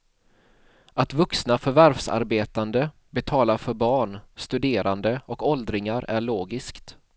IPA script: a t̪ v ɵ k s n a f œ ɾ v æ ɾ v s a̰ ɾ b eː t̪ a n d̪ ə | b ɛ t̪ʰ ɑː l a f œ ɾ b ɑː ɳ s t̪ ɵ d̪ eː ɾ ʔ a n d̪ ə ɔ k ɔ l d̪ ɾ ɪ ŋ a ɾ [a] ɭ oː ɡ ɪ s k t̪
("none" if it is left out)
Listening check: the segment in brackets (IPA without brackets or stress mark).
æ